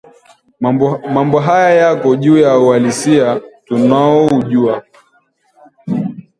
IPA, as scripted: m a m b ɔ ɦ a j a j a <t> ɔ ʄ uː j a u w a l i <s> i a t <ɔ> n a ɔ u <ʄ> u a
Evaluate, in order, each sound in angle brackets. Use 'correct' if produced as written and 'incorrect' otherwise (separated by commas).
incorrect, correct, incorrect, correct